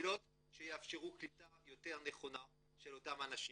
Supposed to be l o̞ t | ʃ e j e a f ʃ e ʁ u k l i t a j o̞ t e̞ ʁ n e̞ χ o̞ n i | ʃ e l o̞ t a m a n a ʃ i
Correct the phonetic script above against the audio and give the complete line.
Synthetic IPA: l o̞ t | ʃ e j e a f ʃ e ʁ u k l i t a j o̞ t e̞ ʁ n e̞ χ o̞ n a | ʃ e l o̞ t a m a n a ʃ i